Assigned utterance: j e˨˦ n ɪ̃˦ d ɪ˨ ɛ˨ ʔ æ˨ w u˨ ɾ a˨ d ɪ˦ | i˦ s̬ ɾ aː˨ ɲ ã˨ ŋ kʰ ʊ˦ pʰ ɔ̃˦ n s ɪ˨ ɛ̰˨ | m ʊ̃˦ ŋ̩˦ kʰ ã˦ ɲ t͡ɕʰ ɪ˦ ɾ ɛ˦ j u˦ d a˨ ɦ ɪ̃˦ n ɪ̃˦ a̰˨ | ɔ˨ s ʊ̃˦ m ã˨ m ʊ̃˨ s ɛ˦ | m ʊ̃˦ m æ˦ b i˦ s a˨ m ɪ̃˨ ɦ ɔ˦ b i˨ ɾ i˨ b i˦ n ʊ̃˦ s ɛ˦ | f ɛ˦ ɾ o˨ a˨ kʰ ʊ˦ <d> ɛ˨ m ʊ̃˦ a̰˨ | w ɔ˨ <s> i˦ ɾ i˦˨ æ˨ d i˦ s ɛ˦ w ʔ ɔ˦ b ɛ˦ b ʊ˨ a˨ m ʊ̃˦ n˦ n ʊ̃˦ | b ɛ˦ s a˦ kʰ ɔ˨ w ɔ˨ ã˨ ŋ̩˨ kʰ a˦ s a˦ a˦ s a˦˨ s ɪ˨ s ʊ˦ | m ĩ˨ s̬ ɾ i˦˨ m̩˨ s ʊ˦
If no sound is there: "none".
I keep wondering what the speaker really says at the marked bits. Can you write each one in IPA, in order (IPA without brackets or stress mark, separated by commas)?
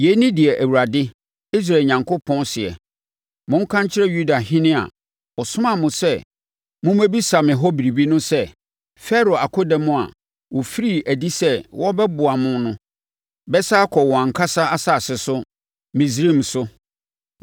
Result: d, f